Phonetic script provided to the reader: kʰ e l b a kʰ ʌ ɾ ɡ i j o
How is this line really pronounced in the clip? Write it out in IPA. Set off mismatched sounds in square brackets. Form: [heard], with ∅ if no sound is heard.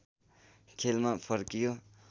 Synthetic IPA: kʰ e l [m] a [pʰ] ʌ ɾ [k] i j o